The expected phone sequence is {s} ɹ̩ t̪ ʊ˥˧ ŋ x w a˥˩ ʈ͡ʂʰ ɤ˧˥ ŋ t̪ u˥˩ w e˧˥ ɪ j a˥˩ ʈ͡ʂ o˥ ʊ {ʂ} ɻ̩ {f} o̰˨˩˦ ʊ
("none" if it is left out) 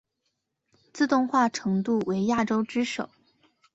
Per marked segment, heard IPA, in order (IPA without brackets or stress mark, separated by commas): t͡s, ʈ͡ʂ, ʂ